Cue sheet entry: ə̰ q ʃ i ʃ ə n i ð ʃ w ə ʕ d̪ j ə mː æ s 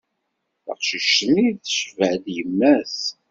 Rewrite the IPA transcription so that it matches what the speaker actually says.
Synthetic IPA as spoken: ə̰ q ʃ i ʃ ə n i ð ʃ v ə ʕ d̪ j ə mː æ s